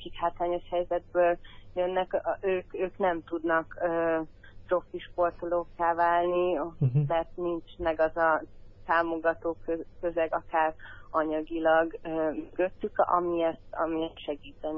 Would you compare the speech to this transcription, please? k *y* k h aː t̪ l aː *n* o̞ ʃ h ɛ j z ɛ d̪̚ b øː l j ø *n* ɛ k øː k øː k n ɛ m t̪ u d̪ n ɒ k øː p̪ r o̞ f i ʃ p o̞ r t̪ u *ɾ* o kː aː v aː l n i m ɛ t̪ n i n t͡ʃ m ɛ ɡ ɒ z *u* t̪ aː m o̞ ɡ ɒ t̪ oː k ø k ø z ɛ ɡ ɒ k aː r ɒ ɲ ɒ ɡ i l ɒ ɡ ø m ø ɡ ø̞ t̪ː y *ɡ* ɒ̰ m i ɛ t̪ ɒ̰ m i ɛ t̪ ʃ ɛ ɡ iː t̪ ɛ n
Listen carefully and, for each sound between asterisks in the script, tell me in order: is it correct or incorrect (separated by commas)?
incorrect, incorrect, incorrect, incorrect, incorrect, incorrect